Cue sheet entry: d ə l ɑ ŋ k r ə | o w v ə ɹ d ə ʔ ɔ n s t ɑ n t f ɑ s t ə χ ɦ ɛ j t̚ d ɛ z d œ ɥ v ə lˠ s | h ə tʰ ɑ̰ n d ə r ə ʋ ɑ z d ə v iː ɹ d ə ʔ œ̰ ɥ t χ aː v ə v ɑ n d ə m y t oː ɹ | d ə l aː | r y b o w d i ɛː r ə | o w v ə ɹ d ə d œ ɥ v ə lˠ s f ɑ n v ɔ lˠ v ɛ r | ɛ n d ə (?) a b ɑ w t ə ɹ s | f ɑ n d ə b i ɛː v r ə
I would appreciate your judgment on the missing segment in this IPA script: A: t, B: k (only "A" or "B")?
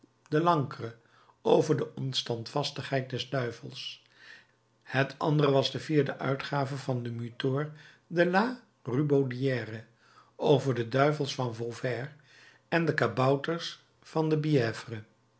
B